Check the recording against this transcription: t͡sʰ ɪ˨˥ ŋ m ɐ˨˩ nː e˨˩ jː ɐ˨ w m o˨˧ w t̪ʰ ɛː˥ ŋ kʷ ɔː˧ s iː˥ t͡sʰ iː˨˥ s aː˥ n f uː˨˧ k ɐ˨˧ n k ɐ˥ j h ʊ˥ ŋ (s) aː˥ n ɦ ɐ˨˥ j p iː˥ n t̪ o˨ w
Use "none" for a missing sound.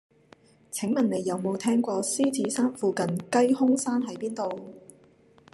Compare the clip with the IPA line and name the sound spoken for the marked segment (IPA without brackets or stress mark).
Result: s